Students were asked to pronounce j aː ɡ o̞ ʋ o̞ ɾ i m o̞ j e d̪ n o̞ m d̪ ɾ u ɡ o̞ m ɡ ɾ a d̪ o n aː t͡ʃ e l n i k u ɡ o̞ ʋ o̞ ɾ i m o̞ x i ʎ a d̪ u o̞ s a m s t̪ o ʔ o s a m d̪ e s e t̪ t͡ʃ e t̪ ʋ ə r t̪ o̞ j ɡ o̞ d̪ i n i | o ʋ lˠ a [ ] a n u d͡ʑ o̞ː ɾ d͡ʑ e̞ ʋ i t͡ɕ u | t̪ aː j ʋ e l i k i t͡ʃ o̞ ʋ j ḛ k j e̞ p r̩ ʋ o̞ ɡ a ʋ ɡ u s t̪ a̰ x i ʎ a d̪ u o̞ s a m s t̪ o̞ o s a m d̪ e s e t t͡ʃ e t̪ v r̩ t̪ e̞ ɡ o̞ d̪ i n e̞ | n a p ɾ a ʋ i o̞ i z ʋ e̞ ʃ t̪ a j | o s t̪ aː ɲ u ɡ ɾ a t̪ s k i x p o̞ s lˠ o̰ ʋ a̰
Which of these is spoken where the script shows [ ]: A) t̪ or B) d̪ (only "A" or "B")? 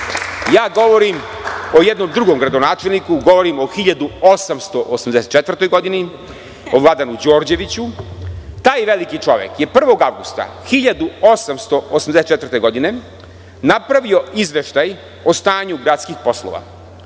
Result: B